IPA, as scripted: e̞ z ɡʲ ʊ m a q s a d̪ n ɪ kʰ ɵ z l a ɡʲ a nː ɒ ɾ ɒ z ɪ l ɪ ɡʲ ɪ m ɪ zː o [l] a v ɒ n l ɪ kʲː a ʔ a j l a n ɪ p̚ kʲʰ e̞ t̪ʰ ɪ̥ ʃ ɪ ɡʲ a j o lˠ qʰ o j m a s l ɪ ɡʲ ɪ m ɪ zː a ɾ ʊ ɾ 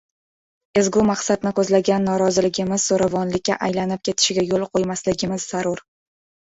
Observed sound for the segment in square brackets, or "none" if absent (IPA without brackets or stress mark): ɾ